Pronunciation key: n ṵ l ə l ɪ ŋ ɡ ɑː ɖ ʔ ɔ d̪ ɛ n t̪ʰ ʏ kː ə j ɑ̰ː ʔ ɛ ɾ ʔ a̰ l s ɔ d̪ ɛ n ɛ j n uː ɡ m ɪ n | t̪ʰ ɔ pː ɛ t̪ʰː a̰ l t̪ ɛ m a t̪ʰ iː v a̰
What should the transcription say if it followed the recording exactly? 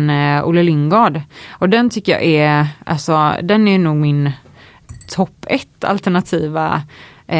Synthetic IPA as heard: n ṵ l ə l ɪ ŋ ɡ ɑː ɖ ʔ ɔ d̪ ɛ n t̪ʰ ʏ kː ə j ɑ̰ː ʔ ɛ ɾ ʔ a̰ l s ɔ d̪ ɛ n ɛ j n uː ɡ m ɪ n | t̪ʰ ɔ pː ɛ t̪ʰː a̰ l t̪ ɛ ɳ a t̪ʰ iː v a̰